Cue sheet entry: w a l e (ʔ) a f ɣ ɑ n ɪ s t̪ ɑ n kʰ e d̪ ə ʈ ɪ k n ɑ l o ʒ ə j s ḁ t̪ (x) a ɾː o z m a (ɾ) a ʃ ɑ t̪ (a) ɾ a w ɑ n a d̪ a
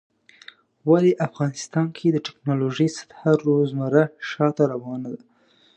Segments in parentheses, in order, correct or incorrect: correct, incorrect, correct, correct

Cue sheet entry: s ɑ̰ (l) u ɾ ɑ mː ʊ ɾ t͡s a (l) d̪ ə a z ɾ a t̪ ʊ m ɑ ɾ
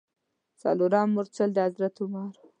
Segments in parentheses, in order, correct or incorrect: correct, correct

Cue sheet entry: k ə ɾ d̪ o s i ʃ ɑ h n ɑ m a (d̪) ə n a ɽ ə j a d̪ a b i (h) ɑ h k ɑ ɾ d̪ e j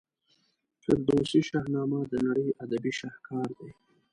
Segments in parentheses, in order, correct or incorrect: correct, incorrect

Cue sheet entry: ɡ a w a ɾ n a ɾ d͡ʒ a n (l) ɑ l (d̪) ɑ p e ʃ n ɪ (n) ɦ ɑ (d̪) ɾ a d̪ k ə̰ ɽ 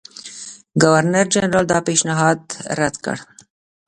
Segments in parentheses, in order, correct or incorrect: incorrect, correct, incorrect, correct

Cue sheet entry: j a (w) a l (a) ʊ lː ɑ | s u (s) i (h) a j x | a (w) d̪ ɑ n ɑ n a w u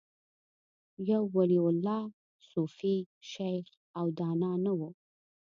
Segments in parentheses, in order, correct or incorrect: incorrect, incorrect, incorrect, incorrect, correct

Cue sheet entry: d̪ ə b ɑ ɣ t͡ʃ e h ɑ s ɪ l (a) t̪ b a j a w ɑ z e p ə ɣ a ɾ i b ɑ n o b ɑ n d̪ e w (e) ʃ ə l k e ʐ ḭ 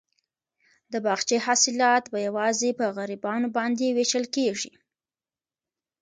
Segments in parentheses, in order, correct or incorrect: incorrect, correct

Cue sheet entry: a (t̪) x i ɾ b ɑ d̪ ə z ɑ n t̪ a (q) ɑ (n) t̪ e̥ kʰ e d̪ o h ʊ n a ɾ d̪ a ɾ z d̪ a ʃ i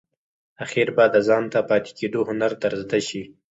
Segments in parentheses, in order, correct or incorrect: incorrect, incorrect, incorrect

